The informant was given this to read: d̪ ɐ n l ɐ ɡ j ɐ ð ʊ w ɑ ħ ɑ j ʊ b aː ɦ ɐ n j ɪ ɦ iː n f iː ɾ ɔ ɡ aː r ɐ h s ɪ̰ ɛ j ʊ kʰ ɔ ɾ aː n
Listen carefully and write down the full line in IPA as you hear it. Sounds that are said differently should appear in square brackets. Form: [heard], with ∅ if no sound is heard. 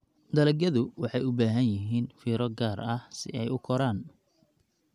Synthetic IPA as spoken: d̪ ɐ [∅] l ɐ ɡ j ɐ ð ʊ w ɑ ħ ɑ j ʊ b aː ɦ ɐ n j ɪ ɦ iː n f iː ɾ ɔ ɡ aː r ɐ h s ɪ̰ ɛ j ʊ kʰ ɔ ɾ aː n